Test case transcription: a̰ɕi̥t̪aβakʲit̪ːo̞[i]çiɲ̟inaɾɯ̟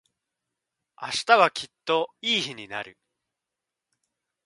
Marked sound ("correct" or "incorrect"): incorrect